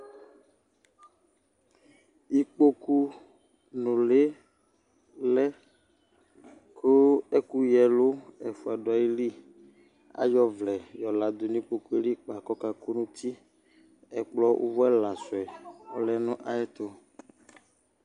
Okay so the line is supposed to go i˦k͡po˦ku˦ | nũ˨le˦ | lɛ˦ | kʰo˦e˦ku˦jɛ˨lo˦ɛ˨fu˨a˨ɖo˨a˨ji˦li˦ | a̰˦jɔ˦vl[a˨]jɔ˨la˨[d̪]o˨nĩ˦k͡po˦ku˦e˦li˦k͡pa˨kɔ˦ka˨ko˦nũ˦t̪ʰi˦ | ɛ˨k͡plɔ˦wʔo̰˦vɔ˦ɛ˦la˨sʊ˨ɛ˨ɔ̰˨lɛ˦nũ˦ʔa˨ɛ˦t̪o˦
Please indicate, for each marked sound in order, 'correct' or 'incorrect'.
incorrect, correct

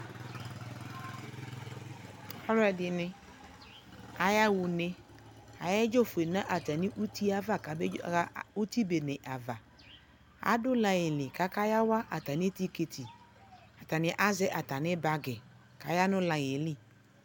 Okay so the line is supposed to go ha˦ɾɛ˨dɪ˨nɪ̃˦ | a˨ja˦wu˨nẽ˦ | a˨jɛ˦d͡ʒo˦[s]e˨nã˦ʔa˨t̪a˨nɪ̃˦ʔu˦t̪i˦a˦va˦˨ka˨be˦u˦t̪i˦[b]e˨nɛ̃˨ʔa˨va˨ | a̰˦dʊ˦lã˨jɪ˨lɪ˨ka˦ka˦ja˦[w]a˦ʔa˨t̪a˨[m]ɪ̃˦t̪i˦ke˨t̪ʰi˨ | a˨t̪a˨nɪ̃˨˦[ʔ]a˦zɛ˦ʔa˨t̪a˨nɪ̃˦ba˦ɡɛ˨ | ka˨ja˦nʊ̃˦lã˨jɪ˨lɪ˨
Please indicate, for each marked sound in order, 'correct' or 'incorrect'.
incorrect, correct, correct, incorrect, correct

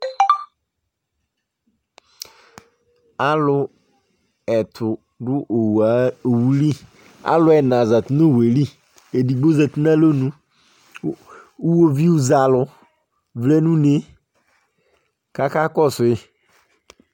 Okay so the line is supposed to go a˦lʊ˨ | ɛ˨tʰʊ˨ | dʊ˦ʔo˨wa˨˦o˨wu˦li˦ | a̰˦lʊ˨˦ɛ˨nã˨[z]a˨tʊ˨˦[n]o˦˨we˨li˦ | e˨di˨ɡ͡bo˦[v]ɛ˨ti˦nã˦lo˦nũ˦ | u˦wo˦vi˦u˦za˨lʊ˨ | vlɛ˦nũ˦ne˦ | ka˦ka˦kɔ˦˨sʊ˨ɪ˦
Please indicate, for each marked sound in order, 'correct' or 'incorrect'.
correct, correct, incorrect

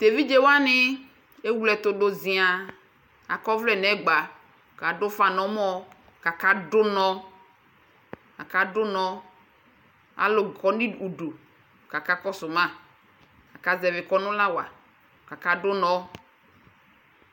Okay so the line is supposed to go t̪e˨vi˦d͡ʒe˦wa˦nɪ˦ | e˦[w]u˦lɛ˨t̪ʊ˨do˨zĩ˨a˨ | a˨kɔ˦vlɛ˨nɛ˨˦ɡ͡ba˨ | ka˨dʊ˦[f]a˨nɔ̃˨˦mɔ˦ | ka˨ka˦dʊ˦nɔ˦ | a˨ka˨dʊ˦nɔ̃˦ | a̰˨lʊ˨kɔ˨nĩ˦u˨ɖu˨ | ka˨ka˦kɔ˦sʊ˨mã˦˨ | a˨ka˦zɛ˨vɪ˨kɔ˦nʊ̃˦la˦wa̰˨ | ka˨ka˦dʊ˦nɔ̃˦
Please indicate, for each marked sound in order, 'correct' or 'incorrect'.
correct, correct

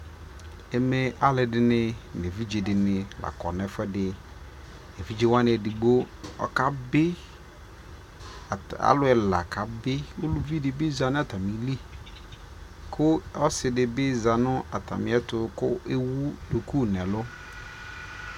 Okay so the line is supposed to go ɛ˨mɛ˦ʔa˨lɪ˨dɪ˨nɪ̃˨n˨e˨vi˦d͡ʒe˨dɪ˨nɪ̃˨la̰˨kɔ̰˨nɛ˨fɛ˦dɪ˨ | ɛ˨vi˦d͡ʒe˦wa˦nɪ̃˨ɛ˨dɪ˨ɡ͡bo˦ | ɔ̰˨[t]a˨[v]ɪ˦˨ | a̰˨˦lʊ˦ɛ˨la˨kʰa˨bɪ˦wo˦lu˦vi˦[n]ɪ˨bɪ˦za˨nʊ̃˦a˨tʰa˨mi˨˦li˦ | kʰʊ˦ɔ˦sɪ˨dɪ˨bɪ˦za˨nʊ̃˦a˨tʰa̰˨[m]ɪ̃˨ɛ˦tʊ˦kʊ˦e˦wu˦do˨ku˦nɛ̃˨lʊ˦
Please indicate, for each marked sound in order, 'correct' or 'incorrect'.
incorrect, incorrect, incorrect, correct

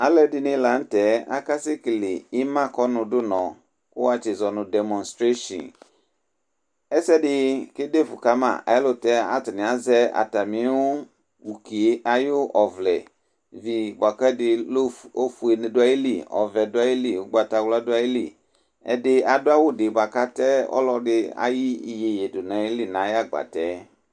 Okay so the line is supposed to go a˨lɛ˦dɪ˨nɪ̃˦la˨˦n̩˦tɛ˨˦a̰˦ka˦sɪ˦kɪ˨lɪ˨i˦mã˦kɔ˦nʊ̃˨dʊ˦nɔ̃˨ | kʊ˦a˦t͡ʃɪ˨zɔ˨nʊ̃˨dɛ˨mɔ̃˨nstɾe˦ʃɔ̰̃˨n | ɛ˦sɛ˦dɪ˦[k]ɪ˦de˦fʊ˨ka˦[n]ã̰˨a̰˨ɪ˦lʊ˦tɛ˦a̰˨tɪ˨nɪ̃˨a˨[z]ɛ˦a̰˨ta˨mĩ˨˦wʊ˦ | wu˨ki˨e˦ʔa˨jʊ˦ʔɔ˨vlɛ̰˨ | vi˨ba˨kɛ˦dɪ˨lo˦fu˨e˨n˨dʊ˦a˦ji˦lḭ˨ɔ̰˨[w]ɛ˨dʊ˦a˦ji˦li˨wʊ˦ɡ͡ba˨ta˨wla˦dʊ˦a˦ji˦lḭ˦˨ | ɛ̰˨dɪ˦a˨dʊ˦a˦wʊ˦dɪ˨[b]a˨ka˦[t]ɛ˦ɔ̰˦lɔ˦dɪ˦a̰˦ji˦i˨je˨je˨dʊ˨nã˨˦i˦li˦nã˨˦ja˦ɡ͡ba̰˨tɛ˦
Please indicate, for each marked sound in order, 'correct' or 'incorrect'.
correct, incorrect, correct, incorrect, correct, correct

